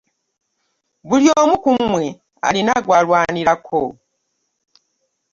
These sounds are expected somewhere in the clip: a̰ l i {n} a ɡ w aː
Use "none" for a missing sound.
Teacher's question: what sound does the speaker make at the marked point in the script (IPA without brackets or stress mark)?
n